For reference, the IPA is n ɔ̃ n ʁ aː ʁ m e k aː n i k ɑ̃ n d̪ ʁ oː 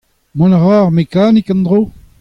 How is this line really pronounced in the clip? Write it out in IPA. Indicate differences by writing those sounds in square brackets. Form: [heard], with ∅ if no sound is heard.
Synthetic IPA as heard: [m] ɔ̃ n ʁ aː ʁ m e k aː n i k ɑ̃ n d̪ ʁ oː